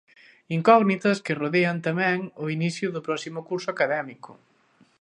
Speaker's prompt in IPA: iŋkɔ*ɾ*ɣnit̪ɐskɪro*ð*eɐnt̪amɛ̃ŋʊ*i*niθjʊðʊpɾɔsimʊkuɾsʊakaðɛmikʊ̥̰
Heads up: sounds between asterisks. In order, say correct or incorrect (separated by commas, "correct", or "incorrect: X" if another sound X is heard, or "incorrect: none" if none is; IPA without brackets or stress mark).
incorrect: none, correct, correct